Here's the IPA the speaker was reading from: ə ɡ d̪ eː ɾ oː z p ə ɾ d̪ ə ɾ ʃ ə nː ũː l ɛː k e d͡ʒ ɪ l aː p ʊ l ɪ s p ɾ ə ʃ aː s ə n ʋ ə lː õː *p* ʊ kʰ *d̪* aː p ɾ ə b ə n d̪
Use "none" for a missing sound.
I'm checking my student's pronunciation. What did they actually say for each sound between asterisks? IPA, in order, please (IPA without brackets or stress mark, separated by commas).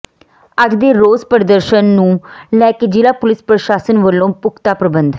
p, t̪